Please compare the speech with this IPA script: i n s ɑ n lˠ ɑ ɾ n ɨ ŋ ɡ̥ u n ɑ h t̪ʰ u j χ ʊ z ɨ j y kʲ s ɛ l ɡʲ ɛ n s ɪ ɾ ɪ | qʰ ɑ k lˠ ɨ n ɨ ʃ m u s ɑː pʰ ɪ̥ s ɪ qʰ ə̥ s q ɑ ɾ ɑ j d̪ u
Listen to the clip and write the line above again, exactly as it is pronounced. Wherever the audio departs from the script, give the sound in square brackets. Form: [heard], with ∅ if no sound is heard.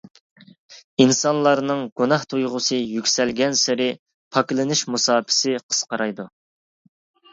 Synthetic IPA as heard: i n s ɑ n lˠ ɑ ɾ n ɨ ŋ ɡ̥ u n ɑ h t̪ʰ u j [ʁ] ʊ [s] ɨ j y kʲ s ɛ l ɡʲ ɛ n s ɪ ɾ ɪ | [pʰ] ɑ k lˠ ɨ n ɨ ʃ m u s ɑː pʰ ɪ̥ s ɪ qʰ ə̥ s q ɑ ɾ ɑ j d̪ u